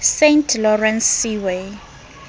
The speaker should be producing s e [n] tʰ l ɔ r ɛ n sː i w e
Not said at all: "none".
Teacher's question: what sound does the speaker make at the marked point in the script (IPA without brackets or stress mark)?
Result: n